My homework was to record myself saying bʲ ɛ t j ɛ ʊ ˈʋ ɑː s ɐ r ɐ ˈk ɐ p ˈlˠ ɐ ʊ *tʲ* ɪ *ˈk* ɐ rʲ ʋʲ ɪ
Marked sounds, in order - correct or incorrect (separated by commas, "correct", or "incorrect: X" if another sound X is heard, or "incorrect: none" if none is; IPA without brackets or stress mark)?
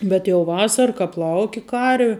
incorrect: kʲ, correct